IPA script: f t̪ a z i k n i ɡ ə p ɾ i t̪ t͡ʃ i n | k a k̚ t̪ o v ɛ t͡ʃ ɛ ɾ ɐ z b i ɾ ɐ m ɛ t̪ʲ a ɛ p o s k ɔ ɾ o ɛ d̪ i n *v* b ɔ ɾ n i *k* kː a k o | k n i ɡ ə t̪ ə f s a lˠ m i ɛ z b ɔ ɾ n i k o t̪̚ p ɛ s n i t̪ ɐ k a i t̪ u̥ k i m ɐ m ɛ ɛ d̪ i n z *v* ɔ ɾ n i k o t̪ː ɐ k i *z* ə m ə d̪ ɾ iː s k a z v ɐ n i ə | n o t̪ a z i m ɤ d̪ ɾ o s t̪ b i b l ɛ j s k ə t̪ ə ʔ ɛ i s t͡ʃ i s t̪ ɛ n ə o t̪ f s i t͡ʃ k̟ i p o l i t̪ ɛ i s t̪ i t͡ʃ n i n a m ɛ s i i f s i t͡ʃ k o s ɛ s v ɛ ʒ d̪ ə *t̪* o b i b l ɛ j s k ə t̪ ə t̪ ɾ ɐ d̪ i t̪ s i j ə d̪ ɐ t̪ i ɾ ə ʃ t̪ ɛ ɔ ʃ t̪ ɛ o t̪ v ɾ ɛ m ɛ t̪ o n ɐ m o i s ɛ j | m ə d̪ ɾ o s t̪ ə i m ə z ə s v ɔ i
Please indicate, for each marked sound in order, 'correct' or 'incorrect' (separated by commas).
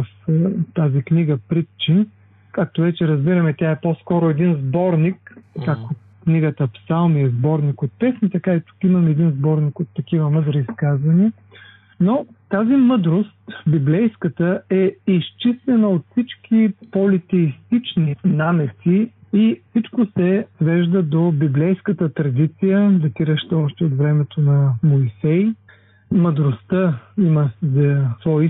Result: incorrect, correct, incorrect, incorrect, incorrect